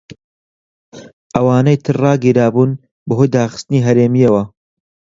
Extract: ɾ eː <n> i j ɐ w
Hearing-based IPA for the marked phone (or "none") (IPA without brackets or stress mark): m